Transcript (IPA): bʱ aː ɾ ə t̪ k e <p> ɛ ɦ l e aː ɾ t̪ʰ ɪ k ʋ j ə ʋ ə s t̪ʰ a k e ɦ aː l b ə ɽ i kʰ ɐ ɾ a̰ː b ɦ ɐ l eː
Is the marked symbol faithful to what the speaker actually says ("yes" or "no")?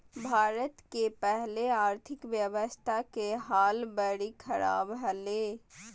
yes